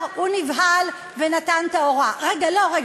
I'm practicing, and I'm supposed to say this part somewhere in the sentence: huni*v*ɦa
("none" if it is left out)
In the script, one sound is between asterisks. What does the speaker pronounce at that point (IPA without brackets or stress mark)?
v